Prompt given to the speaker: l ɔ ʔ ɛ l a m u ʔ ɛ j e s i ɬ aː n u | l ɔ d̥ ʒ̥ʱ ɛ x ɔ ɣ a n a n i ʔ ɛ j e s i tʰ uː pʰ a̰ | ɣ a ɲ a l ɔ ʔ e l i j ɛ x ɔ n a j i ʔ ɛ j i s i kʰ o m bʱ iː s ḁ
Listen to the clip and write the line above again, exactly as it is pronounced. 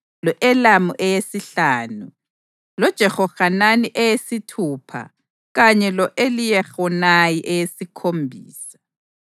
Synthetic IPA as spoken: l ɔ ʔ ɛ l a m u ʔ ɛ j e s i ɬ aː n u | l ɔ d̥ ʒ̥ʱ ɛ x ɔ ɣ a n a n i ʔ ɛ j e s i tʰ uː pʰ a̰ | ɣ a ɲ ɛ l ɔ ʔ e l i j ɛ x ɔ n a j i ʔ ɛ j e s i kʰ o m bʱ iː s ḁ